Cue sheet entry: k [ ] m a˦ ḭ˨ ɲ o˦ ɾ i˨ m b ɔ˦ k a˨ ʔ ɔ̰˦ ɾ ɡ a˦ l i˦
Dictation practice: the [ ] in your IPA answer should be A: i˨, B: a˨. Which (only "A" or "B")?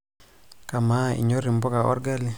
B